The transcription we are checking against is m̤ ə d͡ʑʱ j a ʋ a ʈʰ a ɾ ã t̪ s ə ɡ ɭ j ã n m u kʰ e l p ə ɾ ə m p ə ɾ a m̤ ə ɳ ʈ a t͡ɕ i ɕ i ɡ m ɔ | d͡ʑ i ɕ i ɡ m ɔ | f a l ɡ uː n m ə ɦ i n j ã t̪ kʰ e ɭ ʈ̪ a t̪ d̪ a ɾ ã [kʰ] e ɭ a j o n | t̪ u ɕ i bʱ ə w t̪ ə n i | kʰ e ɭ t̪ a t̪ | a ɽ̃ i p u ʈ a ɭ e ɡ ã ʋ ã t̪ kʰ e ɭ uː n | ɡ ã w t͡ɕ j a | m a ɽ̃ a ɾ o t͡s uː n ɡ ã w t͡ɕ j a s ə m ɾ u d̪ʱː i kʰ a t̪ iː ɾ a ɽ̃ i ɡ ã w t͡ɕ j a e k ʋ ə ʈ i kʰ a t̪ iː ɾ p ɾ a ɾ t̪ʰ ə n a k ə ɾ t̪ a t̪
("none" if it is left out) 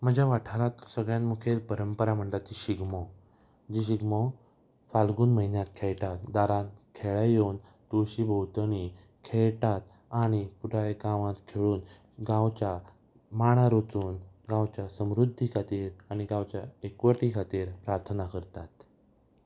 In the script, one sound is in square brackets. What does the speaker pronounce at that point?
kʰ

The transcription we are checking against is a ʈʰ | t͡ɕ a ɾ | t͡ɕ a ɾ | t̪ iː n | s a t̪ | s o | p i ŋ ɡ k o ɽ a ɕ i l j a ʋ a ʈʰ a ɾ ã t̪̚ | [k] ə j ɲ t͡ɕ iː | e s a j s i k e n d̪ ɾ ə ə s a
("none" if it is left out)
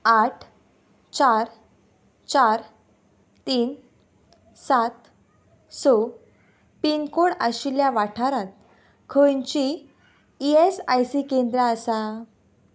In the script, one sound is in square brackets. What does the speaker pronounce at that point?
kʰ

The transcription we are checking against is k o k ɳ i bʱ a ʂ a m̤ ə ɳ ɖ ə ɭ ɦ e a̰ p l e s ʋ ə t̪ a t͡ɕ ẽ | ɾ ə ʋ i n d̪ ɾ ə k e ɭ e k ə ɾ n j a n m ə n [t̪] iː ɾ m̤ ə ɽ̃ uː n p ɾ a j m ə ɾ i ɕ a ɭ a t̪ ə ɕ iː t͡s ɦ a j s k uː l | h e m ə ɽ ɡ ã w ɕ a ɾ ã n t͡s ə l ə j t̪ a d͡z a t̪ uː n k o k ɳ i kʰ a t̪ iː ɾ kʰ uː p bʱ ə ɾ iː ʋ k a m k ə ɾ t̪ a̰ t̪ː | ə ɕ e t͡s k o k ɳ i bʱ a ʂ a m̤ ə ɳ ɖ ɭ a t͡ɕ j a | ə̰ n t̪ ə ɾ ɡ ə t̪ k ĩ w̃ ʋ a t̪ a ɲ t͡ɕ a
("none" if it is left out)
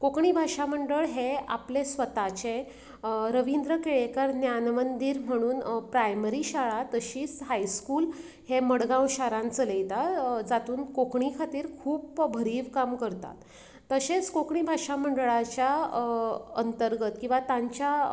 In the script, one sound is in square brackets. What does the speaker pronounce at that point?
d̪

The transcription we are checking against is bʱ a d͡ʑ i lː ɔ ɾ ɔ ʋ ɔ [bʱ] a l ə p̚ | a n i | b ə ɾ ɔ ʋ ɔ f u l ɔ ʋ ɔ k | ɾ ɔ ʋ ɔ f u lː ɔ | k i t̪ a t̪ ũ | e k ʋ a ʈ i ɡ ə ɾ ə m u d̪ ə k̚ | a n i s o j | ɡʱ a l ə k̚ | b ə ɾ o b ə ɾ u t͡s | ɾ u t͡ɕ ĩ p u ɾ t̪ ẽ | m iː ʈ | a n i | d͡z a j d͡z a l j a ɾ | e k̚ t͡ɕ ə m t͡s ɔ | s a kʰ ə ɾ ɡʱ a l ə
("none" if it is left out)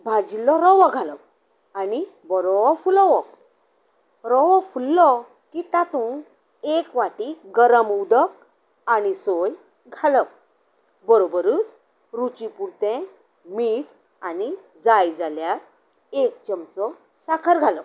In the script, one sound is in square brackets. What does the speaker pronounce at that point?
ɡʱ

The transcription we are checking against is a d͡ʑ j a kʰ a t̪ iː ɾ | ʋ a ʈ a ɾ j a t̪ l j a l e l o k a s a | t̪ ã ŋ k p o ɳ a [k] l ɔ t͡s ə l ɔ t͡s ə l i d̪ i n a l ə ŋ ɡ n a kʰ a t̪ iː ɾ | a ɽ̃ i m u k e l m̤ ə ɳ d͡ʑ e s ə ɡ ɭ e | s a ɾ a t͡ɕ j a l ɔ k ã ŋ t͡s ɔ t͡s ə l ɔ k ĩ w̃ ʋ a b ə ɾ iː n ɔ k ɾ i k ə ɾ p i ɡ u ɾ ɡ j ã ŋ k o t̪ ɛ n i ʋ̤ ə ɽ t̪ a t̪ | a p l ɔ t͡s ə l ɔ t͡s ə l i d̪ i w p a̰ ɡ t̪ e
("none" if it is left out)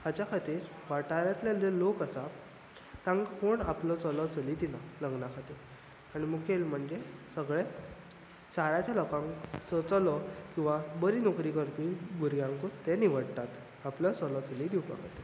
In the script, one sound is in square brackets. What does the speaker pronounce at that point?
p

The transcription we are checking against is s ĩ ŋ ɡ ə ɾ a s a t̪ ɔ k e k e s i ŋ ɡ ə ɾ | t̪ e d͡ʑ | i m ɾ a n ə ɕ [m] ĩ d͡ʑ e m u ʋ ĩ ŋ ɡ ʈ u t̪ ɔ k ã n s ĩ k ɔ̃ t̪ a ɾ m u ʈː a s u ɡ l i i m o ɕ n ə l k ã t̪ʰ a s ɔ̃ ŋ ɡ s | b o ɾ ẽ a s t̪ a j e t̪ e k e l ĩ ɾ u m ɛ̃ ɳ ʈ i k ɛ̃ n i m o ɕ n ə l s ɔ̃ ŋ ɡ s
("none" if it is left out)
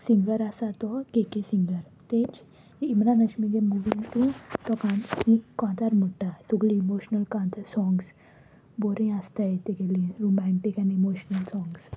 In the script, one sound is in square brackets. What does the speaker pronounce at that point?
m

